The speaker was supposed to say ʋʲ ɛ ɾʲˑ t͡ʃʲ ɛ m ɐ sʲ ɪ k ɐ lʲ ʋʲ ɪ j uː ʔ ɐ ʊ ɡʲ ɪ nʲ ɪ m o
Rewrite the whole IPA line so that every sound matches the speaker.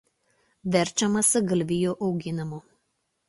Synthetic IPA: ʋʲ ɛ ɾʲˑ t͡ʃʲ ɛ m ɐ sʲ ɪ ɡ ɐ lʲ ʋʲ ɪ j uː ʔ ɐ ʊ ɡʲ ɪ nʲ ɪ m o